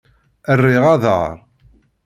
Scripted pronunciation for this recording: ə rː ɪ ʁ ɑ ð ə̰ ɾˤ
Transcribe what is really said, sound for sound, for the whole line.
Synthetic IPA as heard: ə rː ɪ ʁ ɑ ð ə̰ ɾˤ